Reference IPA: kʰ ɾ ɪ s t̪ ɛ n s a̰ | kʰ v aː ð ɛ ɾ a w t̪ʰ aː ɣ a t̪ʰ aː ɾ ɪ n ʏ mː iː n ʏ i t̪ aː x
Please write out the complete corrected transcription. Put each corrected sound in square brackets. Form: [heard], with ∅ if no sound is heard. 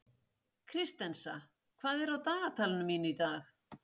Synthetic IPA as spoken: kʰ ɾ ɪ s t̪ ɛ n s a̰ | kʰ v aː ð ɛ ɾ a w [t̪] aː ɣ a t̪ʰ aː [l] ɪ n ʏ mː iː n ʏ i t̪ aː x